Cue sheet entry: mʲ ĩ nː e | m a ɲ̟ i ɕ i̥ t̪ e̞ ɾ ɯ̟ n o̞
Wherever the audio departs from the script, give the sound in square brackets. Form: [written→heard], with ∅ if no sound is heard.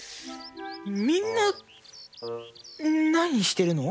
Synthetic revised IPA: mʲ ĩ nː [e→a] | [m→n] a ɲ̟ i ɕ i̥ t̪ e̞ ɾ ɯ̟ n o̞